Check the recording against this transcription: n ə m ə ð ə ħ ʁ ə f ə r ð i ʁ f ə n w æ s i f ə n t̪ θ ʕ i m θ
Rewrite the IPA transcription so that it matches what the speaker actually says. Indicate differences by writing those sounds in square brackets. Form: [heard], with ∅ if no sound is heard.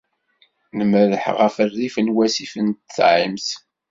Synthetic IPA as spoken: n ə m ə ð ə ħ ʁ ə f ə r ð i [∅] f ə n w æ s i f ə n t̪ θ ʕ i m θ

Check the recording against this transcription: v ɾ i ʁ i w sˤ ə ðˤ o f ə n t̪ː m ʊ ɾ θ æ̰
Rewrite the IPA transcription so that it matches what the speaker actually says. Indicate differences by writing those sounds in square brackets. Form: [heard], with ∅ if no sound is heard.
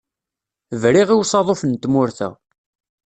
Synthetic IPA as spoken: v ɾ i ʁ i w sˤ [ɑ] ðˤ o f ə n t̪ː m ʊ ɾ θ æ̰

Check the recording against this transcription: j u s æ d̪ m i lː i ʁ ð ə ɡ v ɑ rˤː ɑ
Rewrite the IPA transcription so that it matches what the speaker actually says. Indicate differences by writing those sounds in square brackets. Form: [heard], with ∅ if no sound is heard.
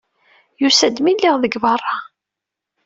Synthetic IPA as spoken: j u s æ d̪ m i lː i ʁ ð ə ɡ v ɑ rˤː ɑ

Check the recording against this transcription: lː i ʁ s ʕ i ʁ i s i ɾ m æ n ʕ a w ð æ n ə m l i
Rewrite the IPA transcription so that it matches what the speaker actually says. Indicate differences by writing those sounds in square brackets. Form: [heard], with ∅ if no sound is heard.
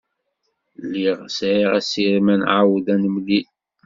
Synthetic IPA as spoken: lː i ʁ s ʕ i ʁ [æ] s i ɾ m æ n ʕ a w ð æ n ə m l i

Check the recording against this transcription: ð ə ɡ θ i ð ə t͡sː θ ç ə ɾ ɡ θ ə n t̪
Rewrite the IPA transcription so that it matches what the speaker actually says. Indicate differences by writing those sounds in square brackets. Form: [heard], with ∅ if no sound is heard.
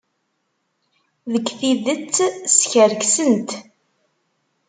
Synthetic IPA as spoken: ð ə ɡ θ i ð ə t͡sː [s] ç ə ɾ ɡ [s] ə n t̪

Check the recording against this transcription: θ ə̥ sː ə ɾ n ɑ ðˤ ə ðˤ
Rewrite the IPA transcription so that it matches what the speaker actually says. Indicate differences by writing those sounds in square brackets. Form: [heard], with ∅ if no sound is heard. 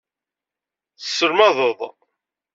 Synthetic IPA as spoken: θ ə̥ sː ə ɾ [m] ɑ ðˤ ə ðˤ

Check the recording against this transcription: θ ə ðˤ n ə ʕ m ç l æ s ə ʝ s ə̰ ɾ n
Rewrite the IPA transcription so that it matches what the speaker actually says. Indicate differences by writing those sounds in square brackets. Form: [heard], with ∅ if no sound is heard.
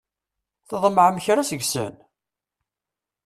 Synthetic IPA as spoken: θ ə ðˤ [m] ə ʕ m ç [ɾ] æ s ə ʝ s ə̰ [∅] n

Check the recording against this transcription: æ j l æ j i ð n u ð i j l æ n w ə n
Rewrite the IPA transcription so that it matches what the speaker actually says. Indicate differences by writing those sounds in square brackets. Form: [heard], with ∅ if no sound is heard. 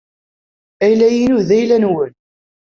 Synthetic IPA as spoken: æ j l æ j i [∅] n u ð [æ] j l æ n w ə n

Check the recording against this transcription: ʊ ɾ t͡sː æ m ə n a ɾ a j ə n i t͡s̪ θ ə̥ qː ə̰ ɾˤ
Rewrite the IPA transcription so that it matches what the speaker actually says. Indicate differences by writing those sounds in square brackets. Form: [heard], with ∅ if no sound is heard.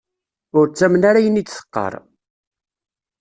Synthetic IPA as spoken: ʊ ɾ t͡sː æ m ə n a ɾ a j ə n i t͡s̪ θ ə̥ qː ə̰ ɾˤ

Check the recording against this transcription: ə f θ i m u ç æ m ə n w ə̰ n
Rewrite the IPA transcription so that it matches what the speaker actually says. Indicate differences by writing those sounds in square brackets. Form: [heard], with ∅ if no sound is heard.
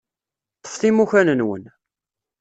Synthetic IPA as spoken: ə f θ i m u ç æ [n] ə n w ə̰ n

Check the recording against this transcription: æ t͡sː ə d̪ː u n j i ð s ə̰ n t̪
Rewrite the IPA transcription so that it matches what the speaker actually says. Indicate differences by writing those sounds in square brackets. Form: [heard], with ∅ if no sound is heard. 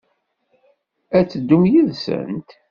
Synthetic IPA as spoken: æ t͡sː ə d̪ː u [m] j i ð s ə̰ n t̪

